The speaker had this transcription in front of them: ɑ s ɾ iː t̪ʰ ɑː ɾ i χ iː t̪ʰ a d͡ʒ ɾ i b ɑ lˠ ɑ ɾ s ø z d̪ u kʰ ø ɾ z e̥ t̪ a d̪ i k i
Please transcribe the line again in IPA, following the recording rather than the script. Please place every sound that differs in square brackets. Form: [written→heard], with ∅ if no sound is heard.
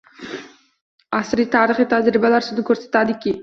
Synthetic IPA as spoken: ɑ s ɾ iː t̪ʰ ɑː ɾ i χ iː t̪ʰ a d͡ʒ ɾ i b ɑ lˠ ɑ ɾ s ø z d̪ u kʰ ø ɾ [z→s] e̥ t̪ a d̪ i k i